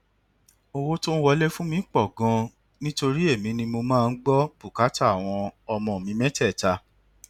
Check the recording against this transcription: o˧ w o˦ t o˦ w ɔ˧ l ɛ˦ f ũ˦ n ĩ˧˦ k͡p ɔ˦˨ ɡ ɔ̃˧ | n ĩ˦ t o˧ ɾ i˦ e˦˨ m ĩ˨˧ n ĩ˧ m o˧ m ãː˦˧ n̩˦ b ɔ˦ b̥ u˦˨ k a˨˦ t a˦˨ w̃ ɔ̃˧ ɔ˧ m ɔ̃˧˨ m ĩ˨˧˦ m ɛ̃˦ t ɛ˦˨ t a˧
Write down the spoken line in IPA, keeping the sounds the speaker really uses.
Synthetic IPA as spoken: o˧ w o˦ t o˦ w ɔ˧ l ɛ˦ f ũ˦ m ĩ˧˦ k͡p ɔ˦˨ ɡ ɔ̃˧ | n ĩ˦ t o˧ ɾ i˦ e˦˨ m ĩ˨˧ n ĩ˧ m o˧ m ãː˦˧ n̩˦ ɡ͡b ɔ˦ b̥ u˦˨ k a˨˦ t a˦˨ w̃ ɔ̃˧ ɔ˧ m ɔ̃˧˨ m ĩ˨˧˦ m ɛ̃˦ t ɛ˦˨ t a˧